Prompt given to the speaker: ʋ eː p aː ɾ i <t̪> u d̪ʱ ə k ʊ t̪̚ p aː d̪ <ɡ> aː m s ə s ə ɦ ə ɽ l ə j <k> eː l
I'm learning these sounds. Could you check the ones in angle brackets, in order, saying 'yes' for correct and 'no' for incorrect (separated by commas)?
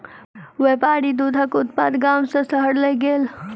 no, yes, no